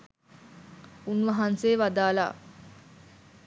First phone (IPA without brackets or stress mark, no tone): u